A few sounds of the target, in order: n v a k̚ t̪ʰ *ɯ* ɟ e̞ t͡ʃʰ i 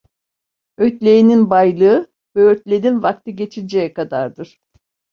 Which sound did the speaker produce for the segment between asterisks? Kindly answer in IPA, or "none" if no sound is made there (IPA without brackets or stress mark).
ɯ